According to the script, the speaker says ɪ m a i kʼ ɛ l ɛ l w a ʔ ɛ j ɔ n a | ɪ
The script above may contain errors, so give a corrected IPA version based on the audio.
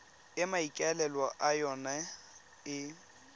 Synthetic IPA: ɪ m a i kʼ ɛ l ɛ l w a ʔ a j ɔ n a | ɪ